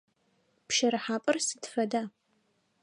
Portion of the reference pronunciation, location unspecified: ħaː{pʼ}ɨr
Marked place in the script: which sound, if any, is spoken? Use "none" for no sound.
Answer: pʼ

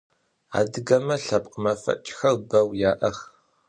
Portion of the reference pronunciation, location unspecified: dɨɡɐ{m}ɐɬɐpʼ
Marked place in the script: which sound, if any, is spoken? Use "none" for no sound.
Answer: m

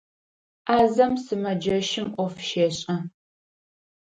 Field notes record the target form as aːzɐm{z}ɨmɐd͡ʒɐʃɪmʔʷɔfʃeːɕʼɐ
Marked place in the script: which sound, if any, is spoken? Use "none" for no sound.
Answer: s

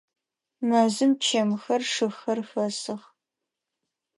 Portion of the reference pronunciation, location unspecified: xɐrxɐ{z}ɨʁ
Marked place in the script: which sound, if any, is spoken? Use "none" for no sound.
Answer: s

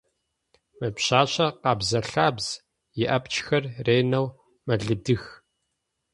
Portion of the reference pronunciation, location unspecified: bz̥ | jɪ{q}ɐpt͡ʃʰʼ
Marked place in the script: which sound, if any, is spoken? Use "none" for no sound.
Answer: ʔ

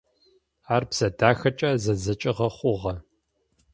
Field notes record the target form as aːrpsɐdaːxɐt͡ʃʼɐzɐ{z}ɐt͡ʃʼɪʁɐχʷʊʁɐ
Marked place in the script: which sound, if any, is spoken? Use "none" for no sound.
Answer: z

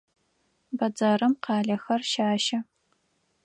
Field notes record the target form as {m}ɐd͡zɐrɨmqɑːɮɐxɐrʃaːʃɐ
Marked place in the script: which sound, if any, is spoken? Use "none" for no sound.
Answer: b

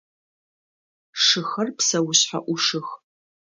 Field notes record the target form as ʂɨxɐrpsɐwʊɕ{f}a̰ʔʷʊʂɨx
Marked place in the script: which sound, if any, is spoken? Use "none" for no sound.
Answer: ħ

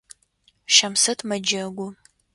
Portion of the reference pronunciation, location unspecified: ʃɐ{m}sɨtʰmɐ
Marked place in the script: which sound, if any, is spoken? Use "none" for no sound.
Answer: m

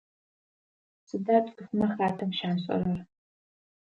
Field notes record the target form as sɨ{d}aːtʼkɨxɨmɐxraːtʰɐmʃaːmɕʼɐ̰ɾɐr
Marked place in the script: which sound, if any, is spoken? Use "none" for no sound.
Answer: d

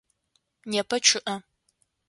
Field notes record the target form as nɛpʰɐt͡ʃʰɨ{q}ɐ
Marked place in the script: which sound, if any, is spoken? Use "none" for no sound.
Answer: ʔ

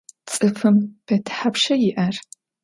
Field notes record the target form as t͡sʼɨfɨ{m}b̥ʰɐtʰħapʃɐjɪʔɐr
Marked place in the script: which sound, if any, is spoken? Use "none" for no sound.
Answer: m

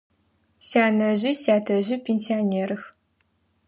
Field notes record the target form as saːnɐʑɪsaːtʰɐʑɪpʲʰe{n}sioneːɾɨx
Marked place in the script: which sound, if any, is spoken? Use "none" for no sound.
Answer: n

